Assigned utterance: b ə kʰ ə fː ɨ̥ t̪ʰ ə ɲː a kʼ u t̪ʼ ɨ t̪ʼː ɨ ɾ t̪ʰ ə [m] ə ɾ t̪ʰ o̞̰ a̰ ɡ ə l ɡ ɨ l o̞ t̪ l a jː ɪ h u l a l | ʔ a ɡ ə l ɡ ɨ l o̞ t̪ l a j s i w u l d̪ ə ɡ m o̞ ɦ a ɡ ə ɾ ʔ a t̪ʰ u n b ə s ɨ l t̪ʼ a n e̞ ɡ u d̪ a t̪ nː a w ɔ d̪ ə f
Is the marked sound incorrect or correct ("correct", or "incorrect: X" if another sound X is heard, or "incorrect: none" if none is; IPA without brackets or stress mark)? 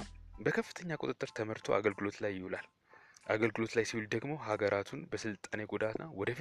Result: correct